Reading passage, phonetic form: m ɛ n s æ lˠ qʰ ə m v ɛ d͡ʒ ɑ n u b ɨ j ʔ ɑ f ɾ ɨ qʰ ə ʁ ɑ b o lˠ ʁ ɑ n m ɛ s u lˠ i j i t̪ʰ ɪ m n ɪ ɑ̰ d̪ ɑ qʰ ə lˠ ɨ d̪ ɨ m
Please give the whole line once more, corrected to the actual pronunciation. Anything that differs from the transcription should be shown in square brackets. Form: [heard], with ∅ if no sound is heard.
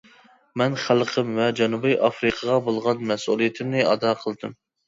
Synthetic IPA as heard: m ɛ n [χ] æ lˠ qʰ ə m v ɛ d͡ʒ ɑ n u b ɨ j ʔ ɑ f ɾ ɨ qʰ ə ʁ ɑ b o lˠ ʁ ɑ n m ɛ s u lˠ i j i t̪ʰ ɪ m n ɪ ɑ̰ d̪ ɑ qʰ ə lˠ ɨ d̪ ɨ m